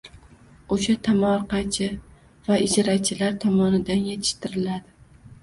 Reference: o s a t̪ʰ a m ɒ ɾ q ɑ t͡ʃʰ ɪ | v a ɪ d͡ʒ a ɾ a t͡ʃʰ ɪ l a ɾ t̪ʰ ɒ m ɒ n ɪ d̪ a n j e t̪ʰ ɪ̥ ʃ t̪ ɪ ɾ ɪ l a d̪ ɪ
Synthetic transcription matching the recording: o ʃ a t̪ʰ a m ɒ ɾ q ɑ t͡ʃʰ ɪ | v a ɪ d͡ʒ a ɾ a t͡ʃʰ ɪ l a ɾ t̪ʰ ɒ m ɒ n ɪ d̪ a n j e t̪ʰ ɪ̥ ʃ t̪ ɪ ɾ ɪ l a d̪ ɪ

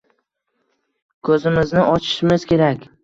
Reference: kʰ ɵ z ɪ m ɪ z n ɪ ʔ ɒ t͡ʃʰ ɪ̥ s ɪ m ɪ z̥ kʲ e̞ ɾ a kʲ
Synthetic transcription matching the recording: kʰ ɵ z ɪ m ɪ z n ɪ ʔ ɒ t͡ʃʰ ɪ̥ ʃ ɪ m ɪ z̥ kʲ e̞ ɾ a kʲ

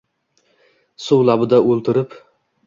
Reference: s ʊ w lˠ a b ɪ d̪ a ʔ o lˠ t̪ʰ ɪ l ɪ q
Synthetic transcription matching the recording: s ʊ w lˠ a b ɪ d̪ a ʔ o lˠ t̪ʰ ɪ ɾ ɪ p

